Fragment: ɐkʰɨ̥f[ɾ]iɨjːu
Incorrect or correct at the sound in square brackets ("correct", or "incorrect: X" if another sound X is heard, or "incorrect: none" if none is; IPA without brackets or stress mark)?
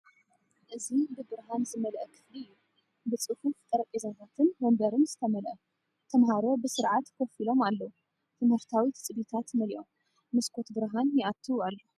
incorrect: l